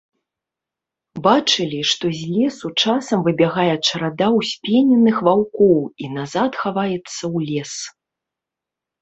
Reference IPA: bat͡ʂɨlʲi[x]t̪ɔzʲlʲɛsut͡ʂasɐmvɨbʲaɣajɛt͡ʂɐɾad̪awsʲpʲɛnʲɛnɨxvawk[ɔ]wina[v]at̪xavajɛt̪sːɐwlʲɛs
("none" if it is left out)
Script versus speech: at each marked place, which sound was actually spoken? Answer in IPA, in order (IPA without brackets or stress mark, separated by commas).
ʂ, ɔ, z